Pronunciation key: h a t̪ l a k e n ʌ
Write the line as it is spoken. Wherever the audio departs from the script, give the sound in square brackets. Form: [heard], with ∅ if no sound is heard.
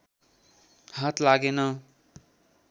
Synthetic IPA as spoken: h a t̪ l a [ɡ] e n ʌ